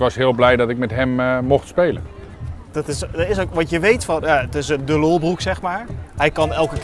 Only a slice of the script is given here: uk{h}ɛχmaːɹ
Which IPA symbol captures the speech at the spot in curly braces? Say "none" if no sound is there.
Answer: s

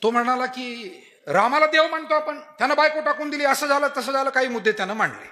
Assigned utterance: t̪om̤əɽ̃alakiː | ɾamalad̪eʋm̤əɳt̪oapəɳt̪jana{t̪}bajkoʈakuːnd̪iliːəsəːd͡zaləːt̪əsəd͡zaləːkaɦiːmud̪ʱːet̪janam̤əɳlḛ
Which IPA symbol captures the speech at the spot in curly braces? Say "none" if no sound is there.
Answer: none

